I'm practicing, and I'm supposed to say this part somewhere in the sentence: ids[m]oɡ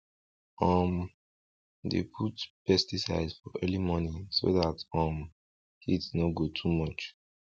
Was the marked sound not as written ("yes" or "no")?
yes